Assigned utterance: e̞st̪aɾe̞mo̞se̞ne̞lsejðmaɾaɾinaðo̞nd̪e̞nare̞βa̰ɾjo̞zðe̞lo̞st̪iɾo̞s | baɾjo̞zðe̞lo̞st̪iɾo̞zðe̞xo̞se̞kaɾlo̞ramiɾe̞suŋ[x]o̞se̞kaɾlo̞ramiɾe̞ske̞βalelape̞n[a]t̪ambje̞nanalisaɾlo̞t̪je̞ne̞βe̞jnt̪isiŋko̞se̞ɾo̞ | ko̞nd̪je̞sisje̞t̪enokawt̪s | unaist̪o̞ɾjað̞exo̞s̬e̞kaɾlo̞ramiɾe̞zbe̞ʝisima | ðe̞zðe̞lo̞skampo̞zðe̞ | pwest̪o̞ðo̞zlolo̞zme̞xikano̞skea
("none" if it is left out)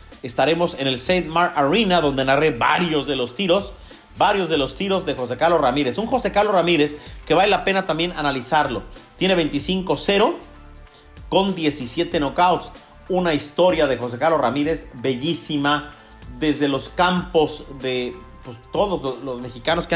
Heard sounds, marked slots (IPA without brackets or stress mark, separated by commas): x, a